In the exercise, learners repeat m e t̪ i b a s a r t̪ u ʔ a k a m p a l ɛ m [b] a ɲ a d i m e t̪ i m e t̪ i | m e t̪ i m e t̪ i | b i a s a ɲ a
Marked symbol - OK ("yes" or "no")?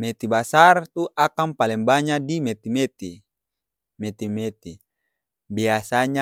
yes